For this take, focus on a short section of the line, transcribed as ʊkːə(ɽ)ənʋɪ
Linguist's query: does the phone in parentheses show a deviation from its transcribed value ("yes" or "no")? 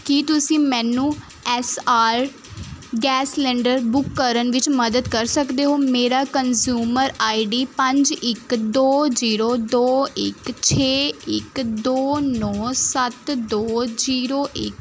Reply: yes